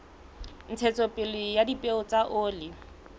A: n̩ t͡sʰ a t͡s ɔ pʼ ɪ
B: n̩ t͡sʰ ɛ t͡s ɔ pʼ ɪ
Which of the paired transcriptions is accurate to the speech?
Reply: B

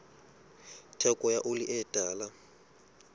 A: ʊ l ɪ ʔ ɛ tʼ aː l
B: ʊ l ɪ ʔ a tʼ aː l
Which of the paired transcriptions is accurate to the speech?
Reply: A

